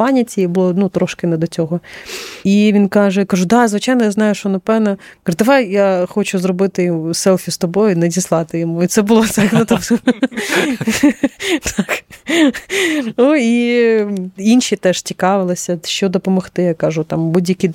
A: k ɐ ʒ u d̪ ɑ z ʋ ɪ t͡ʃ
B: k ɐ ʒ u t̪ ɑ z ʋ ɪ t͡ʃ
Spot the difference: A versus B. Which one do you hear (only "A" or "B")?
A